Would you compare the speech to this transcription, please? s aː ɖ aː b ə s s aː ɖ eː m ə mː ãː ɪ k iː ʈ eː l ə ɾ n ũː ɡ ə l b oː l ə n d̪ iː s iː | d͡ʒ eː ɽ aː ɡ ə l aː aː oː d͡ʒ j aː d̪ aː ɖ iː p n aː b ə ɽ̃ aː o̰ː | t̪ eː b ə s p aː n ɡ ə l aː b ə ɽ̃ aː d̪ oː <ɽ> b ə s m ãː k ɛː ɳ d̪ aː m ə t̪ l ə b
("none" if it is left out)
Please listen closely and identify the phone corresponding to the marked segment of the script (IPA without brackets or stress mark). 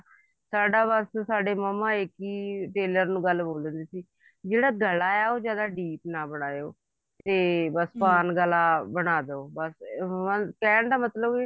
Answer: none